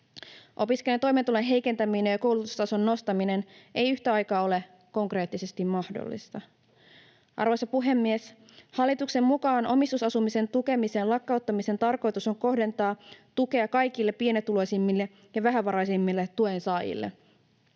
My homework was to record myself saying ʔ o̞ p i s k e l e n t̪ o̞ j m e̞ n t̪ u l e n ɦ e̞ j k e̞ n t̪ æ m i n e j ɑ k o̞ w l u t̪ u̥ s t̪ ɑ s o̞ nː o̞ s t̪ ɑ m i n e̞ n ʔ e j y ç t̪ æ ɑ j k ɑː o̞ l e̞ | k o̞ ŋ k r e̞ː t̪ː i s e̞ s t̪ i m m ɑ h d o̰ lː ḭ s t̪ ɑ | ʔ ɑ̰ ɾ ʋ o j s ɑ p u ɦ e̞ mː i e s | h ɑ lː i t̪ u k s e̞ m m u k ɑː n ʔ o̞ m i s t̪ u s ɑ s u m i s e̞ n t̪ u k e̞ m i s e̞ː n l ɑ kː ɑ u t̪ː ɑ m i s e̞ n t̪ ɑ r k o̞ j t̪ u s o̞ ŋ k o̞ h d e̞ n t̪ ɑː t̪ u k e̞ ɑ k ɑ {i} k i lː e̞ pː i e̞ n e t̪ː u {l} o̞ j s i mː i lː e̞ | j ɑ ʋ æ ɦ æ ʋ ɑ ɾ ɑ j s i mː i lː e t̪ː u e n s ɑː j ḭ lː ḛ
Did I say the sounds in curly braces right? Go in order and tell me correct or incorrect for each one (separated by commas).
incorrect, correct